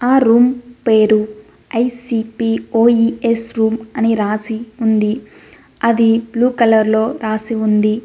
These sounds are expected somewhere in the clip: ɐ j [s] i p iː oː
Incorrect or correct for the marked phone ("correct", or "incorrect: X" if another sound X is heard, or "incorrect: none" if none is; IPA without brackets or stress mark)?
correct